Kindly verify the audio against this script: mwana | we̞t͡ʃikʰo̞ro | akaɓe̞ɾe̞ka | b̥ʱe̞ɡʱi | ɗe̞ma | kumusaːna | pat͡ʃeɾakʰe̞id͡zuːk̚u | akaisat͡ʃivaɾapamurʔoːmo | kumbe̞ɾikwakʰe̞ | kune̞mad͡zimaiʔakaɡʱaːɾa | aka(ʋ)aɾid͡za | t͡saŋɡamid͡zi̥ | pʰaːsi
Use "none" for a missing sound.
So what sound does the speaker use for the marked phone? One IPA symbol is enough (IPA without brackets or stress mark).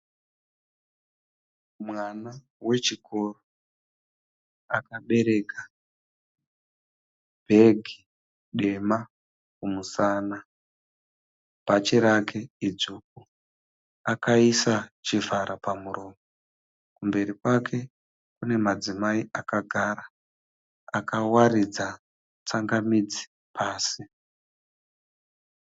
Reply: w